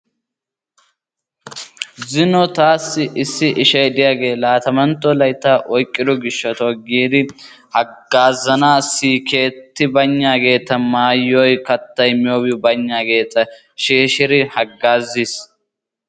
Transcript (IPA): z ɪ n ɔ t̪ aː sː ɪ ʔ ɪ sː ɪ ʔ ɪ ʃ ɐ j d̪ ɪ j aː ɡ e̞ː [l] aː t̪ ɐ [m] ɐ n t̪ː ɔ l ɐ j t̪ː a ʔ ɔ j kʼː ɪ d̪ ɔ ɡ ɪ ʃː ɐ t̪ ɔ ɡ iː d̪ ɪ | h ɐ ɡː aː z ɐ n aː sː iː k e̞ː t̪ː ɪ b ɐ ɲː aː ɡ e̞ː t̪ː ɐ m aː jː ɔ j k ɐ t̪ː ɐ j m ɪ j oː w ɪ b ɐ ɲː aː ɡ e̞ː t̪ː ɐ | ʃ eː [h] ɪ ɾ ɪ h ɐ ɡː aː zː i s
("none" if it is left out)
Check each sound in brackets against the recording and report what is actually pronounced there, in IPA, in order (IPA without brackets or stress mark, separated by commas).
l, m, ʃ